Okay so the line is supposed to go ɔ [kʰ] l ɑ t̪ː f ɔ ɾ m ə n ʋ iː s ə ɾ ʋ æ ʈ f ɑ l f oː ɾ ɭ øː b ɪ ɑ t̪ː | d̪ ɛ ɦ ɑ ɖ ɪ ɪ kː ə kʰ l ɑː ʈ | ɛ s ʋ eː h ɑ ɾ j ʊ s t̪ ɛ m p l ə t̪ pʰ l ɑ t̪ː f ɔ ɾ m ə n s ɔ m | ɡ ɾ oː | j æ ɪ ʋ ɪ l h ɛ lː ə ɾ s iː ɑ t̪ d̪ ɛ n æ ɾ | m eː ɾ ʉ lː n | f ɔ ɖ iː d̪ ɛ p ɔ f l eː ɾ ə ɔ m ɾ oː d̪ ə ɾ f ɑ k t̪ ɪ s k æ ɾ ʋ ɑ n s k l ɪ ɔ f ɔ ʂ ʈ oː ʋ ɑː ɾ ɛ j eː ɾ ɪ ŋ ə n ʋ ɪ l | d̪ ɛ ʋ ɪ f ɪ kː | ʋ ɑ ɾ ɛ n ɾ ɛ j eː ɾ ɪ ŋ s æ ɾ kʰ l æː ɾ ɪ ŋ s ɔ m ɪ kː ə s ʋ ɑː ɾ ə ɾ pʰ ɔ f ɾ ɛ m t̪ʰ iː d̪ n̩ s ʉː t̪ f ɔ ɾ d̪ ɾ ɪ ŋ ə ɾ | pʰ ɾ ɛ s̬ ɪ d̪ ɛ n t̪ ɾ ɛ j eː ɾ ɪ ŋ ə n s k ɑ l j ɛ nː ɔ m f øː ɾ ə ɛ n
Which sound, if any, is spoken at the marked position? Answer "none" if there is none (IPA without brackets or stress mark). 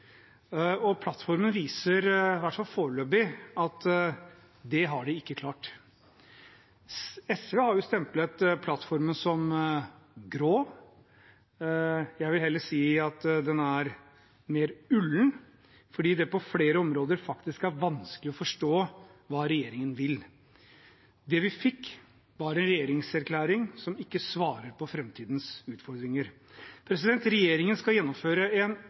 pʰ